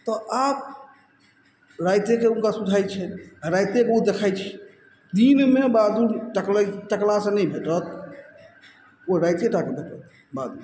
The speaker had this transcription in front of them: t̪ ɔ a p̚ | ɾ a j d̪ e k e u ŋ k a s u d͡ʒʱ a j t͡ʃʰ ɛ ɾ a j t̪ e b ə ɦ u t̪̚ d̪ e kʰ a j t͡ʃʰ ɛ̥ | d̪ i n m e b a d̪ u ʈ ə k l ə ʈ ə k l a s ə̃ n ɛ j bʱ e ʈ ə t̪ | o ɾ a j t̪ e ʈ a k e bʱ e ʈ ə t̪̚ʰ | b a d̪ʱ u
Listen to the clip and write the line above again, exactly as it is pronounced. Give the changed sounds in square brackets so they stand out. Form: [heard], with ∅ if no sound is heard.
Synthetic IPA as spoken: t̪ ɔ a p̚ | ɾ a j [t̪] e k e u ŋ k a s u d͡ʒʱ a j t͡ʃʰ ɛ ɾ a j t̪ e b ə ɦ u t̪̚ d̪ e kʰ a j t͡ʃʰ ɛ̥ | d̪ i n m e b a d̪ u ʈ ə k l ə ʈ ə k l a s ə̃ n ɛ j bʱ e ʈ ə t̪ | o ɾ a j t̪ e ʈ a k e bʱ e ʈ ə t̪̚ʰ | b a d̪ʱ u